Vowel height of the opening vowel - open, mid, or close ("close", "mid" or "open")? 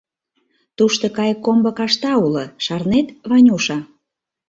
close